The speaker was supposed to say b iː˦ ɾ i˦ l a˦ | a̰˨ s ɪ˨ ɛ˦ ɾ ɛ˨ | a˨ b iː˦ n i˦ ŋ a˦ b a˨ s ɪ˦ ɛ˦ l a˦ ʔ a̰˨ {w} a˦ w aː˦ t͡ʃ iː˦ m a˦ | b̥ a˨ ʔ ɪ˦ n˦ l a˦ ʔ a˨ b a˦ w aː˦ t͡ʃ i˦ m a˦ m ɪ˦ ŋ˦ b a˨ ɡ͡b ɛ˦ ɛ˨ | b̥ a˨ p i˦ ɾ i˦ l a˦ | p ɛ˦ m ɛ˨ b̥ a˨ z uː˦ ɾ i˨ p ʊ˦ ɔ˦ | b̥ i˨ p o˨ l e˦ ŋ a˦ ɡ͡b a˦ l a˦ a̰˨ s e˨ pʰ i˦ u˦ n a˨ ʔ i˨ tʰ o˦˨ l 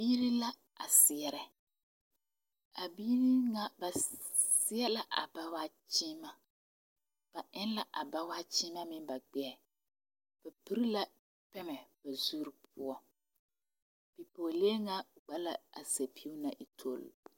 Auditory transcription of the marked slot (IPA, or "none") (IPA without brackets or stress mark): b